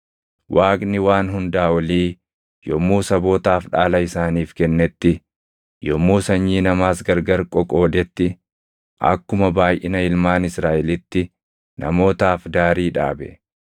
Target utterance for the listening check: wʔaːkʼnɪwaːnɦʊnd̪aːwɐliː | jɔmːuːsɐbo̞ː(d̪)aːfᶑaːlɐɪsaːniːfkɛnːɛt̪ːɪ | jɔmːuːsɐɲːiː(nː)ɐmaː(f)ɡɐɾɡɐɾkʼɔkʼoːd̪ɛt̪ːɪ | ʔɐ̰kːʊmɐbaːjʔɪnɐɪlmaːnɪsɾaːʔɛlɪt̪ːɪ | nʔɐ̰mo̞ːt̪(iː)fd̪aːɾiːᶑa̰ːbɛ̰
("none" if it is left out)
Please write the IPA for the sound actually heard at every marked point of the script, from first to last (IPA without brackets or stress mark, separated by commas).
t̪, n, s, aː